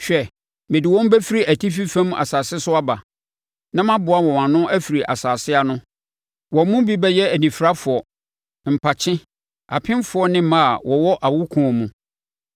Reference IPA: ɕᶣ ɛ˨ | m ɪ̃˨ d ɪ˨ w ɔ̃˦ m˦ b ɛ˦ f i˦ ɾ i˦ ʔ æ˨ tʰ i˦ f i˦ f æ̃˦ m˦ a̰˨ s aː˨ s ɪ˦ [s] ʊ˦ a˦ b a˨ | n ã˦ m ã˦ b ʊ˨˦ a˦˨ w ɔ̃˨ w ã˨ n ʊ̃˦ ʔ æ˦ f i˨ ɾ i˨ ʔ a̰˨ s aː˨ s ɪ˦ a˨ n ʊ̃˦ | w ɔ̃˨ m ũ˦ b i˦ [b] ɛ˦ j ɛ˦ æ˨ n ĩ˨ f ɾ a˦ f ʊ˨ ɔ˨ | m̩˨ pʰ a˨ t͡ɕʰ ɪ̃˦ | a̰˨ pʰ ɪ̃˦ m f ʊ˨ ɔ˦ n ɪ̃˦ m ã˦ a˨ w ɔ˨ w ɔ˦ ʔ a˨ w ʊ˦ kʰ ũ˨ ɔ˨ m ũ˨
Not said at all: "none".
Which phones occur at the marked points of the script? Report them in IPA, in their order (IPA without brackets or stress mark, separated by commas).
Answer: s, b